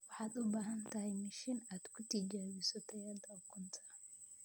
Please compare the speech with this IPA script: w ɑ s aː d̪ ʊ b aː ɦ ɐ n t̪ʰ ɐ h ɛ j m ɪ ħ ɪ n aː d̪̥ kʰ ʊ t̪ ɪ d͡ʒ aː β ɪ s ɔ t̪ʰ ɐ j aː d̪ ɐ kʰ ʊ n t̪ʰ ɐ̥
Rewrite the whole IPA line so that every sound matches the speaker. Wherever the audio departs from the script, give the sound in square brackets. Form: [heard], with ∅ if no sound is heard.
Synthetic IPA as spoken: w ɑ [ħ] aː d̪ ʊ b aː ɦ ɐ n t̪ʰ ɐ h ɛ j m ɪ [ʃ] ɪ n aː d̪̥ kʰ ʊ t̪ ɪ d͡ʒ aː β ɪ s ɔ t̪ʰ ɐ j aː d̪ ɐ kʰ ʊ n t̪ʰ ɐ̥

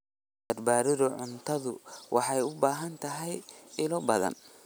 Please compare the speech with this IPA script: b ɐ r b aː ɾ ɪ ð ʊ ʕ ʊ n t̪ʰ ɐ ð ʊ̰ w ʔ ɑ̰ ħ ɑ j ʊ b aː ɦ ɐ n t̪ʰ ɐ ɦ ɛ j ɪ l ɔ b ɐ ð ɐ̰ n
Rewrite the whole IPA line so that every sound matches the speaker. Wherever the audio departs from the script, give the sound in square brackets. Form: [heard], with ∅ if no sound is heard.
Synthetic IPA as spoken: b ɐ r b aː ɾ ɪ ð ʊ ʕ ʊ n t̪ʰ ɐ ð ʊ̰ w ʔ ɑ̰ ħ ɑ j ʊ b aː ɦ ɐ n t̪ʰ ɐ ɦ ɛ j ɪ l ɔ b ɐ ð ɐ̰ n

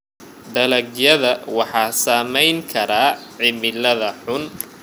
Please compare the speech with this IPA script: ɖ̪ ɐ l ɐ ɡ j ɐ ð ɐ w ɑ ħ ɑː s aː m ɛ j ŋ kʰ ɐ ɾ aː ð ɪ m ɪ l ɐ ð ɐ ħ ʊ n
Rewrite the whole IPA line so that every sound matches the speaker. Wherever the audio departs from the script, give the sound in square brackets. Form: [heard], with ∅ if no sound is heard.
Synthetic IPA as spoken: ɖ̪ ɐ l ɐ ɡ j ɐ ð ɐ w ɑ ħ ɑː s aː m ɛ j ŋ kʰ ɐ ɾ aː [ʕ] ɪ m ɪ l ɐ ð ɐ ħ ʊ n

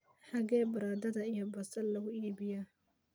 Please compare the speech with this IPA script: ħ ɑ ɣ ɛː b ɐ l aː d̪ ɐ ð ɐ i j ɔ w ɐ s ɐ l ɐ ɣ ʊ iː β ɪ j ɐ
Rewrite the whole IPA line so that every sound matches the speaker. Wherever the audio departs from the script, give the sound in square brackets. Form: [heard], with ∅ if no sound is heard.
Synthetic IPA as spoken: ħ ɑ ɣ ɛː b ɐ [ɾ] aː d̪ ɐ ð ɐ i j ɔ [b] ɐ s ɐ l ɐ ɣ ʊ iː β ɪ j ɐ

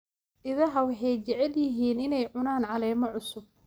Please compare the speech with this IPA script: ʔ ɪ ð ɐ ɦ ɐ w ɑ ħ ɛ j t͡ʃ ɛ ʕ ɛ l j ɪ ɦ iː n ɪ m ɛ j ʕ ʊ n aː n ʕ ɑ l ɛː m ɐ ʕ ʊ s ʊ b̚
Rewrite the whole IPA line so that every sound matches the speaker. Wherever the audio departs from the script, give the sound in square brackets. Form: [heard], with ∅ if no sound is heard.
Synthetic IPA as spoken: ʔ ɪ ð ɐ ɦ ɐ w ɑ ħ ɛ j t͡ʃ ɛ ʕ ɛ l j ɪ ɦ iː n ɪ [n] ɛ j ʕ ʊ n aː n ʕ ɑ l ɛː m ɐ ʕ ʊ s ʊ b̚

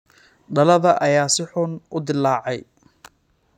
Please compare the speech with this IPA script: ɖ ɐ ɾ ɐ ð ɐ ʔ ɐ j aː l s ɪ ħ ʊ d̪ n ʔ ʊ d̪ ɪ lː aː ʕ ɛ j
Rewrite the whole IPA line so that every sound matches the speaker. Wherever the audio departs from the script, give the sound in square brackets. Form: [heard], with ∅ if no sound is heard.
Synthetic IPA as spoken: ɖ ɐ [l] ɐ ð ɐ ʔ ɐ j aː [∅] s ɪ ħ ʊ [∅] n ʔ ʊ d̪ ɪ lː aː ʕ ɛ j

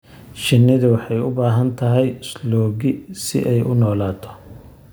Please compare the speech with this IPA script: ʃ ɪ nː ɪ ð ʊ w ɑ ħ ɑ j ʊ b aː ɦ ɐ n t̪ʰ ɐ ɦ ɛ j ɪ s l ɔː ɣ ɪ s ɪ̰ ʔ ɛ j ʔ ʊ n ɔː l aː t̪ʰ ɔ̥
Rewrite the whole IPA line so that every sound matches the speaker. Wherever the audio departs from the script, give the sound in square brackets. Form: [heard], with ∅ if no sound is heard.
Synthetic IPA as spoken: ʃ ɪ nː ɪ ð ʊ w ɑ ħ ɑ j ʊ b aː ɦ ɐ n t̪ʰ ɐ ɦ ɛ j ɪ s l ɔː ɣ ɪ s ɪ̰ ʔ ɛ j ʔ ʊ n ɔː l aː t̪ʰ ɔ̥

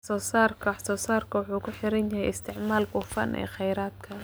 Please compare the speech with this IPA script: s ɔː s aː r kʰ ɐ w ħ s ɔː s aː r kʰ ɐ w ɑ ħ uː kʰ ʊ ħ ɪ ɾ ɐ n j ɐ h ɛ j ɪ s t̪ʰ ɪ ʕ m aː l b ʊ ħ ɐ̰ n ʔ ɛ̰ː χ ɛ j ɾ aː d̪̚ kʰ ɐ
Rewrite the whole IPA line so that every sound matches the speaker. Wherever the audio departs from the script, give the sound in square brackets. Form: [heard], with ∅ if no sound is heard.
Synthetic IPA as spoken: s ɔː s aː r kʰ ɐ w ħ s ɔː s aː r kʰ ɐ w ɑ ħ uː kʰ ʊ ħ ɪ ɾ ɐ n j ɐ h ɛ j ɪ s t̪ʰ ɪ ʕ m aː l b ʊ [f] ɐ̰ n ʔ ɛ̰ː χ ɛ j ɾ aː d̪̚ kʰ ɐ

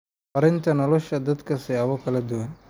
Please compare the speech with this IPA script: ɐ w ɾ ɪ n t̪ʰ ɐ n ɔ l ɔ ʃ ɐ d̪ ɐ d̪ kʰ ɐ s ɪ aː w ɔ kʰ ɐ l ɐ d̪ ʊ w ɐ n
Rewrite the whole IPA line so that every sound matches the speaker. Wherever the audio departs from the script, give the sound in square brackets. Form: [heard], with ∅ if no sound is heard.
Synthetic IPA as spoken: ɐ [∅] ɾ ɪ n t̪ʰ ɐ n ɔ l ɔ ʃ ɐ d̪ ɐ d̪ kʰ ɐ s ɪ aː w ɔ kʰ ɐ l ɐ d̪ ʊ w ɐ n

